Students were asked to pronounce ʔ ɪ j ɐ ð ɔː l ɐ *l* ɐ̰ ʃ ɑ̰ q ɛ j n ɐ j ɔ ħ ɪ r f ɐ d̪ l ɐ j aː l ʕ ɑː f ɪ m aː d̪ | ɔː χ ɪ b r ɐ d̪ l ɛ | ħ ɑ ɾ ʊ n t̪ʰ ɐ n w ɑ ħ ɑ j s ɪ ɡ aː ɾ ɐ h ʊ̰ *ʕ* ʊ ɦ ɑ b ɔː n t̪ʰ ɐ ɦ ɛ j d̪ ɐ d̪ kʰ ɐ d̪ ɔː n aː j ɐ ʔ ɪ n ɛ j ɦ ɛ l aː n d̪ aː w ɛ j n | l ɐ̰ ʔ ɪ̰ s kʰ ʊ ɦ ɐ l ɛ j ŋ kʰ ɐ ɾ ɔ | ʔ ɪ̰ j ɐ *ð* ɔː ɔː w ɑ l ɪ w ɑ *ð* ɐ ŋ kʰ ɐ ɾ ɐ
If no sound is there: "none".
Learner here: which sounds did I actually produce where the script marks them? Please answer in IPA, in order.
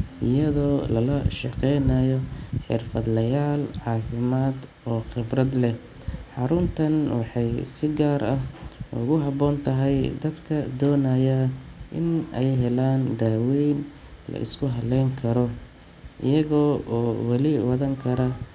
l, ɣ, ɣ, ð

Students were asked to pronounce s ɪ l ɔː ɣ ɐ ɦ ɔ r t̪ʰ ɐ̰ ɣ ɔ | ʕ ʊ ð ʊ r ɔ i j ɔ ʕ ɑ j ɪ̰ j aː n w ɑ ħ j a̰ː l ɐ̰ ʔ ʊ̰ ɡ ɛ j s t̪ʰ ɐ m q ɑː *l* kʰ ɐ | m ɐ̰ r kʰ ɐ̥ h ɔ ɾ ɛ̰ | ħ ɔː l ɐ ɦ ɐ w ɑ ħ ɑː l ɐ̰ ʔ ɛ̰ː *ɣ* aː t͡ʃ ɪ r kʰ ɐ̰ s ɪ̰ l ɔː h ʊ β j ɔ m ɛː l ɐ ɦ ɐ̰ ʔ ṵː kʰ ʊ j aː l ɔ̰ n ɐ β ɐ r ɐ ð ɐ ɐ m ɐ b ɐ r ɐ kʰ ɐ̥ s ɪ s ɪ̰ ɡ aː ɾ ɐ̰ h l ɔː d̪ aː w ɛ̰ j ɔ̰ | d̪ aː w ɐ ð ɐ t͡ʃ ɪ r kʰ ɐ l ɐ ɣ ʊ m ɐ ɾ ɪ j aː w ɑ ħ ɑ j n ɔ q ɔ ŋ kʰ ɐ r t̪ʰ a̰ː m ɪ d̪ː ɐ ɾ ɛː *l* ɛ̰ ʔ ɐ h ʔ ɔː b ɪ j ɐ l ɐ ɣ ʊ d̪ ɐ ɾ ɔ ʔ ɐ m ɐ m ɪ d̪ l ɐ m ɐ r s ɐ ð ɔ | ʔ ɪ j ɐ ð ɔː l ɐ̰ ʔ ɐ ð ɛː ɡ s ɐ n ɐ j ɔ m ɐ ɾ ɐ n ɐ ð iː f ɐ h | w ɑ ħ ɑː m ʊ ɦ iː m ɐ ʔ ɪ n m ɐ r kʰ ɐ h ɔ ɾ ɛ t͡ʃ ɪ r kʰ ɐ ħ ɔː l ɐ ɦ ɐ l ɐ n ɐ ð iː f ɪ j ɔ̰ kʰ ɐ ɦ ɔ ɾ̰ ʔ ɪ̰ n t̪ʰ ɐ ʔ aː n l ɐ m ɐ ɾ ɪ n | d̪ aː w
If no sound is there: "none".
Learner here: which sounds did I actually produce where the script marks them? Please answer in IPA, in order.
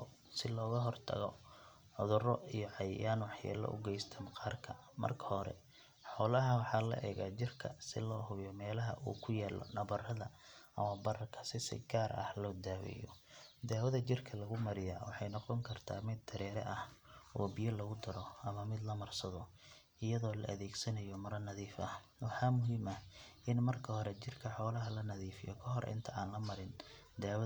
r, ɣ, ɾ

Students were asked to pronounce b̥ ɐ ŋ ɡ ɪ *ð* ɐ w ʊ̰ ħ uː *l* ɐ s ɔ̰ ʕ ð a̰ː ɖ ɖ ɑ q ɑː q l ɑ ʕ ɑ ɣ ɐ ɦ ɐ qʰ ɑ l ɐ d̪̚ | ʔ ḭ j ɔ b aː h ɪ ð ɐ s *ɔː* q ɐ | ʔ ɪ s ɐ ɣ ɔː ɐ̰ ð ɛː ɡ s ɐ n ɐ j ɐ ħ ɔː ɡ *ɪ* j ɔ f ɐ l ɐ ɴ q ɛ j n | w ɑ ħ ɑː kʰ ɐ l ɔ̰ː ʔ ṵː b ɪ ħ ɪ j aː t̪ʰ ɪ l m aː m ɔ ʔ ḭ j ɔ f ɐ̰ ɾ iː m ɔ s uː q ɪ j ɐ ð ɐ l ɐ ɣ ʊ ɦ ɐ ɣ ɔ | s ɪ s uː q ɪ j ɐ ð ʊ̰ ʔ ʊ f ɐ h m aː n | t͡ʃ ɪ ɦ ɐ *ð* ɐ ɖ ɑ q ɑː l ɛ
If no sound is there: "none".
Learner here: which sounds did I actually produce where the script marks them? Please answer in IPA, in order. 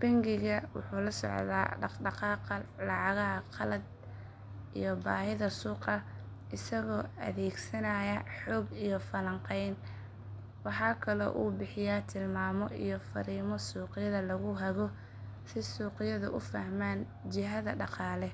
ɣ, l, uː, i, ð

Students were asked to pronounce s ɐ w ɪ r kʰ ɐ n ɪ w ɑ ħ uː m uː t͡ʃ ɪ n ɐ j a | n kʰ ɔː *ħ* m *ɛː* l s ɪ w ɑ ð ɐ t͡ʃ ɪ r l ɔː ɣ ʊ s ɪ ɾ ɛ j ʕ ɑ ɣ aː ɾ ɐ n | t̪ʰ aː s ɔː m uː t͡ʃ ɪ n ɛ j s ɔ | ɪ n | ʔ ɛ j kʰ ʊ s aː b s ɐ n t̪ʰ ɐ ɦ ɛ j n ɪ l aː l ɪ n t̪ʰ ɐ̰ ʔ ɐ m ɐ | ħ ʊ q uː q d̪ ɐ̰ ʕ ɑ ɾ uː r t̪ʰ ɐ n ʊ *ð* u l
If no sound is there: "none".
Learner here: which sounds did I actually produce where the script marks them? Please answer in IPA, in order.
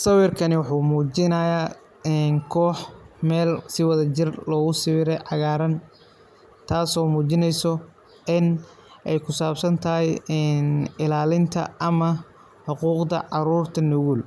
ħ, ɛː, ɣ

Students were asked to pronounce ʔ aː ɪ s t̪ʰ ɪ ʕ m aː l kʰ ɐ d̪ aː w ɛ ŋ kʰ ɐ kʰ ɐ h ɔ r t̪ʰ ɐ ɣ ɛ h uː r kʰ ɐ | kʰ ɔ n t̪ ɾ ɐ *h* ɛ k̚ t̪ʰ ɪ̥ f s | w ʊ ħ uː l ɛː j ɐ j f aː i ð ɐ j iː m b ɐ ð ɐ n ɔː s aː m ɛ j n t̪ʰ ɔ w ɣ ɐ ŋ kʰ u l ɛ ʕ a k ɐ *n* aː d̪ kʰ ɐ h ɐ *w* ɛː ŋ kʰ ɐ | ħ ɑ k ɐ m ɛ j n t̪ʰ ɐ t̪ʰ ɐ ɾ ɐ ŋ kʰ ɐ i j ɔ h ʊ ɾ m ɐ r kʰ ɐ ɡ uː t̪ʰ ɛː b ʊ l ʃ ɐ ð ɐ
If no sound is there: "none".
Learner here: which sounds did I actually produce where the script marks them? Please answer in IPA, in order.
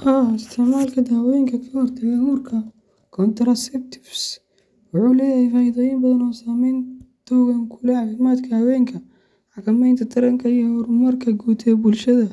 s, m, w

